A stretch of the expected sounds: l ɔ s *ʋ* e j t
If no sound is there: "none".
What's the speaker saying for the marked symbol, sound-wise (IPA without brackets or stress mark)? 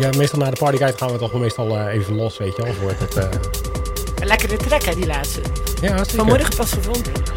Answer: ʋ